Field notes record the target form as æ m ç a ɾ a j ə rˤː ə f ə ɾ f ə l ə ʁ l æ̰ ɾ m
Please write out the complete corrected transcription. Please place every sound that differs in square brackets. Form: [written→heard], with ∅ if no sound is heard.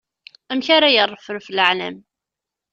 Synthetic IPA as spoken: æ m ç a ɾ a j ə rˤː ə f ə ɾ f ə l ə [ʁ→ʕ] l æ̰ [ɾ→∅] m